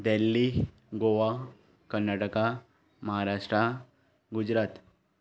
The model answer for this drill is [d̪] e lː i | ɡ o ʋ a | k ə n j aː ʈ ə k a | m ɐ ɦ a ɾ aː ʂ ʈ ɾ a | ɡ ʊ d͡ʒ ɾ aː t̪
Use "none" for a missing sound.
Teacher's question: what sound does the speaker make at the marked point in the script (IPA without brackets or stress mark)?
d̪